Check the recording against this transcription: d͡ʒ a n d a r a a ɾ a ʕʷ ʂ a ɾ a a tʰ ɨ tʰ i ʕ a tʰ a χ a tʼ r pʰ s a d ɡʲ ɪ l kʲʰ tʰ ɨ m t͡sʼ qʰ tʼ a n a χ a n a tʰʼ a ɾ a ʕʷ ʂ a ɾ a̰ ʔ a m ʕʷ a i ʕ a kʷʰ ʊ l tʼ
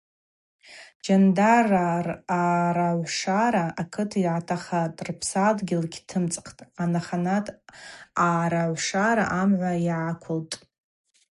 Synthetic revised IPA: d͡ʒ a n d a r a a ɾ a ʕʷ ʂ a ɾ a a kʰ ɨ tʰ i ʕ a tʰ a χ a tʼ r pʰ s a d ɡʲ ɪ l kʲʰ tʰ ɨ m t͡sʼ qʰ tʼ a n a χ a n a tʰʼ a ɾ a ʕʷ ʂ a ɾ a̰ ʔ a m ʕʷ a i ʕ a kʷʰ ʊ l tʼ

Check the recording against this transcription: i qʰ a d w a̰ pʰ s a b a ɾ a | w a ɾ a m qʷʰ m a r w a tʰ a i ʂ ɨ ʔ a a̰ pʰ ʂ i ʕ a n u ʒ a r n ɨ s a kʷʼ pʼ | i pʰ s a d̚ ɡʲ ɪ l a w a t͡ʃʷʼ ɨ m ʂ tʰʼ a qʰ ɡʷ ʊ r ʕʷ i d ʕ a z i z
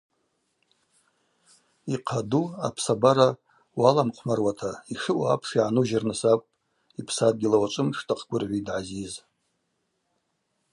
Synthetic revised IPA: i qʰ a d u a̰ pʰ s a b a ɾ a | w a l a m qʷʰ m a r w a tʰ a i ʂ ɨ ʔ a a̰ pʰ ʂ i ʕ a n u ʒ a r n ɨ s a kʷʼ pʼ | i pʰ s a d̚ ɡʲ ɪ l a w a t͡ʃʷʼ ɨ m ʂ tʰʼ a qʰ ɡʷ ʊ r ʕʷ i d ʕ a z i z

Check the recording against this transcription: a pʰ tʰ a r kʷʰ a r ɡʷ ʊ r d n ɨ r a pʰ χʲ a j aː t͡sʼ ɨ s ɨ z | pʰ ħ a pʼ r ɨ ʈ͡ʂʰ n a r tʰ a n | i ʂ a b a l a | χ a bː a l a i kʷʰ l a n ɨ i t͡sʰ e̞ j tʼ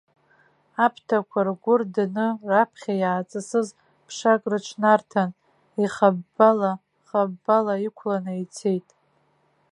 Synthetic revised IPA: a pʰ tʰ a kʷʰ a r ɡʷ ʊ r d n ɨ r a pʰ χʲ a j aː t͡sʼ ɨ s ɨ z | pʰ ʂ a kʼ r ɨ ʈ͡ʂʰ n a r tʰ a n | i χ a b a l a | χ a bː a l a i kʷʰ l a n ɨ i t͡sʰ e̞ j tʼ

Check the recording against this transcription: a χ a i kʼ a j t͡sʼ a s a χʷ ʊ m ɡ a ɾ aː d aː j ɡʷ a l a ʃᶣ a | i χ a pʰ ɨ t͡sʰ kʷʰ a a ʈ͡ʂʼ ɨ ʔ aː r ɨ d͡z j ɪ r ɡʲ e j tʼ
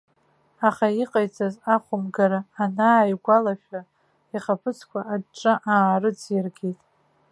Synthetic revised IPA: a χ a i qʼ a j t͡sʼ a z a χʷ ʊ m ɡ a ɾ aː n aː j ɡʷ a l a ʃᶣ a | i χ a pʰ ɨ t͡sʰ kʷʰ a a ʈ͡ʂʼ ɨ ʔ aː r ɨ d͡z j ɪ r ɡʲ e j tʼ

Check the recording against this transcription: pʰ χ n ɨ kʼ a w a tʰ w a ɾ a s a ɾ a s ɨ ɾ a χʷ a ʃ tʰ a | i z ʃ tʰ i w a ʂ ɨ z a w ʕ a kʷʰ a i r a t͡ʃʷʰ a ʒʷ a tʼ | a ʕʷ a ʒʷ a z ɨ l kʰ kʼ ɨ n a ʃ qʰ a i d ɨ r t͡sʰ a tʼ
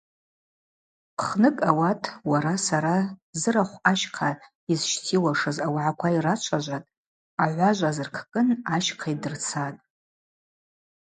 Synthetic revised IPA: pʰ χ n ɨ kʼ a w a tʰ w a ɾ a s a ɾ a z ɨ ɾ a χʷ a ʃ qʰ a | i z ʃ tʰ i w a ʂ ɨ z a w ʕ a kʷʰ a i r a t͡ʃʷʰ a ʒʷ a tʼ | a ʕʷ a ʒʷ a z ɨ r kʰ kʼ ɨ n a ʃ qʰ a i d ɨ r t͡sʰ a tʼ

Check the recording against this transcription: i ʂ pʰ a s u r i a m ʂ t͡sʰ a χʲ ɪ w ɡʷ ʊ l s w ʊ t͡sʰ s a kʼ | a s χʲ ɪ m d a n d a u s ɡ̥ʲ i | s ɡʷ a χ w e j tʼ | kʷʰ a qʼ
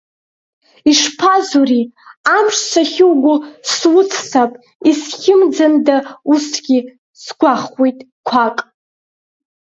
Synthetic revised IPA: i ʂ pʰ a z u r i a m ʂ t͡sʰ a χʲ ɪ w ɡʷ ʊ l s w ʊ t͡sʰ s a pʼ | i s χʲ ɪ m d͡z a n d a u s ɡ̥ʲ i | s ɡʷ a χ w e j tʼ | kʷʰ a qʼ

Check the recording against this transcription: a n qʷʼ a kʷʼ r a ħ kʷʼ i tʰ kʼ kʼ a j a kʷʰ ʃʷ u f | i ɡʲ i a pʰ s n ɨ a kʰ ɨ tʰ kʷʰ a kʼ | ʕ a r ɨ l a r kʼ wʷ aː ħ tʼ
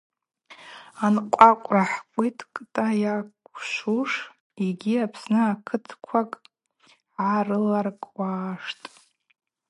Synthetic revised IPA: a n qʷʼ a kʷʼ r a ħ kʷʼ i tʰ kʼ tʼ a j a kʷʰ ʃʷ u ʂ | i ɡʲ i a pʰ s n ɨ a kʰ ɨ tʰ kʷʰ a kʼ | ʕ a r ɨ l a r kʼ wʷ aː ʂ tʼ

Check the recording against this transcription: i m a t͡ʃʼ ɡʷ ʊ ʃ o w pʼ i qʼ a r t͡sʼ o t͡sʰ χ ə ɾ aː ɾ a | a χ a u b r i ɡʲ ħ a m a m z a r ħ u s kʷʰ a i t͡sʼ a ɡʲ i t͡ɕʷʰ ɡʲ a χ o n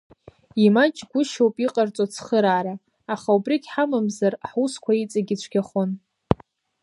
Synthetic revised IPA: i m a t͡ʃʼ ɡʷ ʊ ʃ o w pʼ i qʼ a r t͡sʼ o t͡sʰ χ ə ɾ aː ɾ a | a χ a u b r i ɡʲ ħ a m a m z a r ħ u s kʷʰ a i t͡sʼ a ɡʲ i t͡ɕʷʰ ɡʲ a χ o n

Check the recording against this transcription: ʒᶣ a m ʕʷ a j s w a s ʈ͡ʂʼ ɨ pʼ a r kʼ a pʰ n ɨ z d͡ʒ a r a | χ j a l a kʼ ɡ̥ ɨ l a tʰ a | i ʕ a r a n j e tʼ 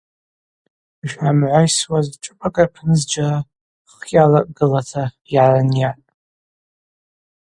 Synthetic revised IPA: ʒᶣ a m ʕʷ a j s w a z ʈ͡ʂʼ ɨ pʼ a kʼ a pʰ n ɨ z d͡ʒ a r a | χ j a l a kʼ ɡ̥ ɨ l a tʰ a | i ʕ a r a n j a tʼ

